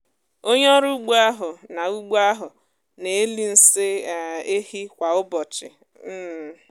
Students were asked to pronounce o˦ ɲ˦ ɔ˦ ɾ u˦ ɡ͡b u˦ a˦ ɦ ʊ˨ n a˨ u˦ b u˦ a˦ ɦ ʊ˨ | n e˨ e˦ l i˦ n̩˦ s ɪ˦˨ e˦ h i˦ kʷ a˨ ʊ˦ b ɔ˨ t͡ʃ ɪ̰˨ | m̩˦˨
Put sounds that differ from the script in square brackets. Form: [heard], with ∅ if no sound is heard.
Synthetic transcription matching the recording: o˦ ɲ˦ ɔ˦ ɾ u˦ ɡ͡b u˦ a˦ ɦ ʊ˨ n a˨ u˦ [ɡ͡b] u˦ a˦ ɦ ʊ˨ | n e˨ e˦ l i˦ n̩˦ s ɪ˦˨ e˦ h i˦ kʷ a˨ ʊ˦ b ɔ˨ t͡ʃ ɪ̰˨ | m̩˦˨